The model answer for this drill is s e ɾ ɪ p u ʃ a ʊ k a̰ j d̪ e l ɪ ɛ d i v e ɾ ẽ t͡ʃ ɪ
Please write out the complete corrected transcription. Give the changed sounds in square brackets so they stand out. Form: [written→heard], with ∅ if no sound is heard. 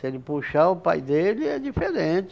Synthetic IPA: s e [ɾ→l] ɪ p u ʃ a ʊ [k→p] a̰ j d̪ e l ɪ ɛ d i [v→f] e ɾ ẽ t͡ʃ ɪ